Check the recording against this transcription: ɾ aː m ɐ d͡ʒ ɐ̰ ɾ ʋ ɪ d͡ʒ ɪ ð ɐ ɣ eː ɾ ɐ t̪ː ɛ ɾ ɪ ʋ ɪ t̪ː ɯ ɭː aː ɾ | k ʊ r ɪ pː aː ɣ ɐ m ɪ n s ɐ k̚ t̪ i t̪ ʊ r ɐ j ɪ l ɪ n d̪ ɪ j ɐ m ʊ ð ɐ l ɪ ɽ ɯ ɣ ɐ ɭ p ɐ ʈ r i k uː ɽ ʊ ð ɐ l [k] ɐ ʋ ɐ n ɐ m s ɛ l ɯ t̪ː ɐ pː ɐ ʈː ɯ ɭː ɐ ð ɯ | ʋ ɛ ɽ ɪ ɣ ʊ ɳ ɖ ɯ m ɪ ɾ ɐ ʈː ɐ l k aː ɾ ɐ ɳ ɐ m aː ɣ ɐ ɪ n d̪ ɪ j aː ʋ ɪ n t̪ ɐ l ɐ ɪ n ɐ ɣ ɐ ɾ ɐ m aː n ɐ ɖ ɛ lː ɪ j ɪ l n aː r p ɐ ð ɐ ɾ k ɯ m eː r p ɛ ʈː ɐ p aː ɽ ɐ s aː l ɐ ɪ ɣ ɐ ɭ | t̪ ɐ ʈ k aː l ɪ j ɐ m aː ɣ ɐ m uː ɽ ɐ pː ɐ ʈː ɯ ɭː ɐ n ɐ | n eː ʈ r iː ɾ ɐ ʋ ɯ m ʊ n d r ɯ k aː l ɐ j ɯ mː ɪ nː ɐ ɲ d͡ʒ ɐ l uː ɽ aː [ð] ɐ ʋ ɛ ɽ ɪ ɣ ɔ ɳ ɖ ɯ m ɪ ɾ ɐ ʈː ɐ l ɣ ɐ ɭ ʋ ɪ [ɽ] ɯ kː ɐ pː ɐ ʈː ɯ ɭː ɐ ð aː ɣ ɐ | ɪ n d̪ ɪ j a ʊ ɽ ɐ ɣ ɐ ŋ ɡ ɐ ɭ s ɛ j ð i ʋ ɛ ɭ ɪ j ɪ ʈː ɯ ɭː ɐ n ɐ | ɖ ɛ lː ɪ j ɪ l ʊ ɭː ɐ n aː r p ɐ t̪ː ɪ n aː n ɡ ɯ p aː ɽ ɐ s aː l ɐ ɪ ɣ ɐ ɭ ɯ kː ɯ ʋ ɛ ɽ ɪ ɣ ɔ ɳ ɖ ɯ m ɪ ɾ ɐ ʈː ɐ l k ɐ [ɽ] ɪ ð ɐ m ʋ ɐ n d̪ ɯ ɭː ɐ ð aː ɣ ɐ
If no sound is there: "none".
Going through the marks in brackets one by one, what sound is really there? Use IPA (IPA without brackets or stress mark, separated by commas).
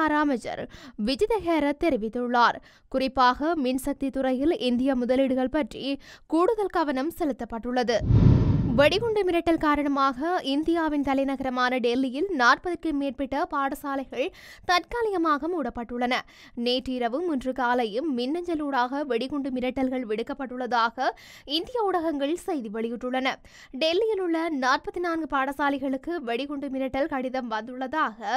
k, ɣ, ɽ, ɽ